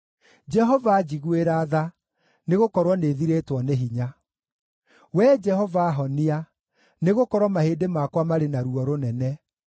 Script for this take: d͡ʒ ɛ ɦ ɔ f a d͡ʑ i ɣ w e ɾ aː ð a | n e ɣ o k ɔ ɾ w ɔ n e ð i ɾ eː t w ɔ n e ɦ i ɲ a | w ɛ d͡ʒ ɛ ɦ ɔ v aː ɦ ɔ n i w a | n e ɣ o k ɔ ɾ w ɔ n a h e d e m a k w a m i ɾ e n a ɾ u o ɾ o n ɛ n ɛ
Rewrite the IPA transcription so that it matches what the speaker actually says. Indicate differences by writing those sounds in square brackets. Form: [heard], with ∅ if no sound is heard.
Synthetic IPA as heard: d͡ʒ ɛ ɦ ɔ [v] a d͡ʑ i ɣ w e ɾ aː ð a | n e ɣ o k ɔ ɾ w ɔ n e ð i ɾ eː t w ɔ n e ɦ i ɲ a | w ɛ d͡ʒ ɛ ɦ ɔ v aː ɦ ɔ n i [∅] a | n e ɣ o k ɔ ɾ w ɔ [m] a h e d e m a k w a m [a] ɾ e n a ɾ u [ɔ] ɾ o n ɛ n ɛ

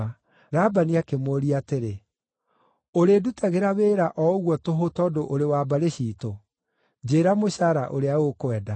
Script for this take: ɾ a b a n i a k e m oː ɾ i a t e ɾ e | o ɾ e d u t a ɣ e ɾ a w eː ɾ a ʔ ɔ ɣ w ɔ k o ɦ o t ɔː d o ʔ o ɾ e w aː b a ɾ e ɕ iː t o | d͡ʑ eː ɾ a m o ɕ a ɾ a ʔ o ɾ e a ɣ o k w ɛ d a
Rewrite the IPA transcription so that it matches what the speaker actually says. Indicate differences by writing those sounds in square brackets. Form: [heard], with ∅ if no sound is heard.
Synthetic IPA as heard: ɾ a b a n i a k e m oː ɾ i a t e ɾ e | o ɾ e d u t a ɣ e ɾ a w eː ɾ a ʔ ɔ ɣ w ɔ [t] o ɦ o t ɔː d o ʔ o ɾ e w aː b a ɾ e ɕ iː t o | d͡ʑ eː ɾ a m o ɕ a ɾ a ʔ o ɾ e a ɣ o k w ɛ d a

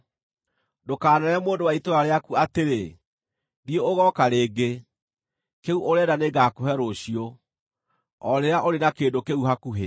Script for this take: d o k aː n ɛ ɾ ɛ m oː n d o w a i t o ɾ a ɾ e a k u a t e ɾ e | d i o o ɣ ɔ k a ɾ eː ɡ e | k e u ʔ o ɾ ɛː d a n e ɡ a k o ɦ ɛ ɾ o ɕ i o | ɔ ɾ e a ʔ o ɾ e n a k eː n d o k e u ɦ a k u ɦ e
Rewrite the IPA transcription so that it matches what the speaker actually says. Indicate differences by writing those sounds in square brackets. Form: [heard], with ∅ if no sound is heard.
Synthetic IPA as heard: d o k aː n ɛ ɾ ɛ m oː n d o w a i t o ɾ a ɾ e a k u a t e ɾ e | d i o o ɣ ɔ k a ɾ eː ɡ e | k e u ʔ o ɾ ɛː d a n e ɡ a k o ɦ ɛ ɾ o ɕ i o | ɔ ɾ e a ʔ o ɾ e n a k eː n d o k e u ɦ a k u ɦ e

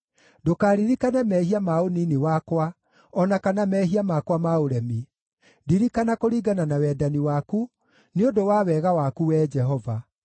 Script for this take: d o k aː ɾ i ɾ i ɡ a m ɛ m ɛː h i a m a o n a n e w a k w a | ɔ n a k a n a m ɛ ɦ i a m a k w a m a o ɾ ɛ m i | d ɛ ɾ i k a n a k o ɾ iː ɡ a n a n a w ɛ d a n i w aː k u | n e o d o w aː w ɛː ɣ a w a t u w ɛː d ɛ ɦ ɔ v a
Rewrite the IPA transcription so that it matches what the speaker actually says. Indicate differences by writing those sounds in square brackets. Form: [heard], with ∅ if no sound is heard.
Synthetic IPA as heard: d o k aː ɾ i ɾ i [k] a [n] ɛ m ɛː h i a m a o n [i] n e w a k w a | ɔ n a k a n a m ɛ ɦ i a m a k w a m a o ɾ ɛ m i | d [i] ɾ i k a n a k o ɾ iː ɡ a n a n a w ɛ d a n i w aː k u | n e o d o w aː w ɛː ɣ a w a [k] u w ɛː [d͡ʒ] ɛ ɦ ɔ v a

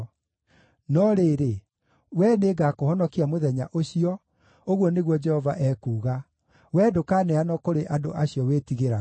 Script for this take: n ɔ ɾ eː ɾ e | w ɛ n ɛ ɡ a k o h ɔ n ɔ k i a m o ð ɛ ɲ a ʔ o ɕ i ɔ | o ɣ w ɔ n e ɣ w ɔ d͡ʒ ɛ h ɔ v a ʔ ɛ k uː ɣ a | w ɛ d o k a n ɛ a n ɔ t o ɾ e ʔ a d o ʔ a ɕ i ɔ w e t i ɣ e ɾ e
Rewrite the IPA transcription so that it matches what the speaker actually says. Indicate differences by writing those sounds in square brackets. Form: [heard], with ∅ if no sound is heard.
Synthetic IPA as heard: n ɔ ɾ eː ɾ e | w ɛ n [e] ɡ a k o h ɔ n ɔ k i a m o ð ɛ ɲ a ʔ o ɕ i ɔ | o ɣ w ɔ n e ɣ w ɔ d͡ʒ ɛ h ɔ v a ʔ ɛ k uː ɣ a | w ɛ d o k a n ɛ a n ɔ [k] o ɾ e ʔ a d o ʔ a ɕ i ɔ w e t i ɣ e ɾ [a]

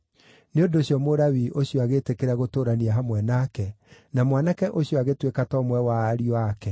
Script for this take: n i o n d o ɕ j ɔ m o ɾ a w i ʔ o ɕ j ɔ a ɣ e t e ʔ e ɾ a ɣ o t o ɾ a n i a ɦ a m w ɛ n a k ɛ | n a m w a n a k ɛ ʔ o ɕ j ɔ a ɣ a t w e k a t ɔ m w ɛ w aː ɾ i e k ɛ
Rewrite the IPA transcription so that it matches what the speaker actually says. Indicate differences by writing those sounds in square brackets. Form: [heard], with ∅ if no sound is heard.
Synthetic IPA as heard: n [e] o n d o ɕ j ɔ m o ɾ a w i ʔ o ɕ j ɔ a ɣ e t e [k] e ɾ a ɣ o t o ɾ a n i a ɦ a m w ɛ n a k ɛ | n a m w a n a k ɛ ʔ o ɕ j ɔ a ɣ [e] t w e k a t ɔ m w ɛ w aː ɾ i [a] k ɛ

